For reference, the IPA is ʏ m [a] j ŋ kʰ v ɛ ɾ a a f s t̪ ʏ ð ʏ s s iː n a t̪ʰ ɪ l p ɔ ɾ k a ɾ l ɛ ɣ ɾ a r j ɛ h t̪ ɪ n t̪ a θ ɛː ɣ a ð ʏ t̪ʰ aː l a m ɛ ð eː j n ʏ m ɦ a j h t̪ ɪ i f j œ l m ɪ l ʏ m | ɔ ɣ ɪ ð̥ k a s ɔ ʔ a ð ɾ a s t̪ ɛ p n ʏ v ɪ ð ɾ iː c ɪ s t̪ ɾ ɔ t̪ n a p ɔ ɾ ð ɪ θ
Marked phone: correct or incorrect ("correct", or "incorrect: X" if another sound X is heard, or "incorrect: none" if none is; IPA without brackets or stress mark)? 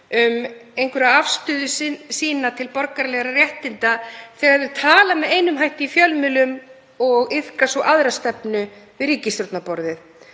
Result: incorrect: e